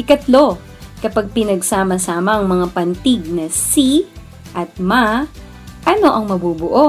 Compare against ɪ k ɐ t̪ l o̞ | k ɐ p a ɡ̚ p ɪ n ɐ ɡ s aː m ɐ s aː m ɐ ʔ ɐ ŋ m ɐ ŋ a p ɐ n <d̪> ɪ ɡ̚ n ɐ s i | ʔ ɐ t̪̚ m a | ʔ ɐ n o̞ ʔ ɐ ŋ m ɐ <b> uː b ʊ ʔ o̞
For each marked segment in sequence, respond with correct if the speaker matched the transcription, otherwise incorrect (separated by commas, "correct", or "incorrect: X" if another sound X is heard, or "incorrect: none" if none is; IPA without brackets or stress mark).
incorrect: t̪, correct